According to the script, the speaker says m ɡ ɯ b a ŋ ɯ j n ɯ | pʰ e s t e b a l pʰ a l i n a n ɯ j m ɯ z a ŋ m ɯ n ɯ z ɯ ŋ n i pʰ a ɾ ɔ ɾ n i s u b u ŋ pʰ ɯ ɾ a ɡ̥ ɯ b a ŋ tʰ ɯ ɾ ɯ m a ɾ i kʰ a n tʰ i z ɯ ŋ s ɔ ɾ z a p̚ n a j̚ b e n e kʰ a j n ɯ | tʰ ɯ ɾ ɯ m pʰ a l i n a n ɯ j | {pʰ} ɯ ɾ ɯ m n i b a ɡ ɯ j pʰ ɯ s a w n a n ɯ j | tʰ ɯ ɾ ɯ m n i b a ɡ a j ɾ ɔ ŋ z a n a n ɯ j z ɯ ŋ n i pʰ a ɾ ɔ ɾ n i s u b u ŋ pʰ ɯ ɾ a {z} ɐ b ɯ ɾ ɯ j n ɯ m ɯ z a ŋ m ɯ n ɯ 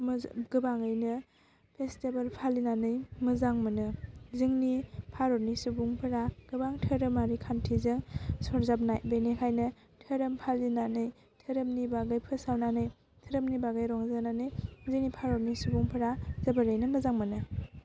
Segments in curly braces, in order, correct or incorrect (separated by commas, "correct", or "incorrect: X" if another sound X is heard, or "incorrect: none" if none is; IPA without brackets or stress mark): incorrect: tʰ, correct